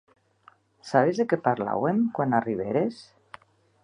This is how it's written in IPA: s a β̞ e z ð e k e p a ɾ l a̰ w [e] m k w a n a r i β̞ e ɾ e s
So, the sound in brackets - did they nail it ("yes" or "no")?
yes